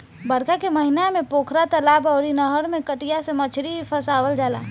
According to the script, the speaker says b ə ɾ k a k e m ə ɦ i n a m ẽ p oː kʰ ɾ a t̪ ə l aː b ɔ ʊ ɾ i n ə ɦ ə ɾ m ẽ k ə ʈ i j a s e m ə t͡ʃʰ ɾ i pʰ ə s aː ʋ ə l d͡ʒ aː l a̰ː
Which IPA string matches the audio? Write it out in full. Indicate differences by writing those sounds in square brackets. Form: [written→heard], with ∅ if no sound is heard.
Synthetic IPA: b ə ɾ k a k e m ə ɦ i n a m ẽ p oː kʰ ɾ a t̪ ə l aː b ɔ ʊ ɾ i n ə ɦ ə ɾ m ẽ k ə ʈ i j a s e m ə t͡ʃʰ ɾ i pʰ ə s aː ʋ ə l d͡ʒ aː l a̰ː